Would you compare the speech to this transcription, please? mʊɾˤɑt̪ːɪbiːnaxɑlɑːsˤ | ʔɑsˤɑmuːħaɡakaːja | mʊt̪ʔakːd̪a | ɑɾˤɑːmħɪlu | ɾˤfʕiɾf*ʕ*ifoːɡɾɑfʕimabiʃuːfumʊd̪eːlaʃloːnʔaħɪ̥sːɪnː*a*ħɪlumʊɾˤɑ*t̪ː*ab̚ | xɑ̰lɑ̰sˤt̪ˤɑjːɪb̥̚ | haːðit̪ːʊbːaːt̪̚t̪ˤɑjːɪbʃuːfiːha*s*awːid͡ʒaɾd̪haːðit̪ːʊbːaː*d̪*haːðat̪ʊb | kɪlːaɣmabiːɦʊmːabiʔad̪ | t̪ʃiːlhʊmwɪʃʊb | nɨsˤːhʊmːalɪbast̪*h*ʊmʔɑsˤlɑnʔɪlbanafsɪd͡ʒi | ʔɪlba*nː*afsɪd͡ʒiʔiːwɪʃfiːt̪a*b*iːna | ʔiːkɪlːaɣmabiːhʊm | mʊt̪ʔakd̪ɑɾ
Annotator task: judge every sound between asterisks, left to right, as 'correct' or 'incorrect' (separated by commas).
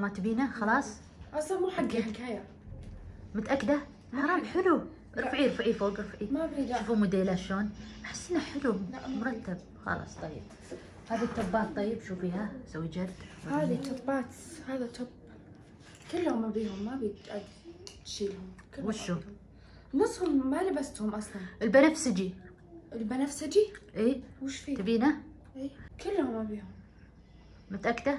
correct, correct, correct, correct, incorrect, correct, incorrect, correct